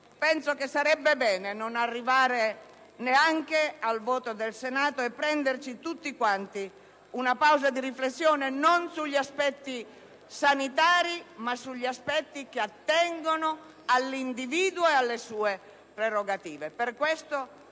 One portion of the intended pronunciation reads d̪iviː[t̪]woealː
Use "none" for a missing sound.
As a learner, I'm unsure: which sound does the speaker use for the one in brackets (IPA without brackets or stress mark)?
d̪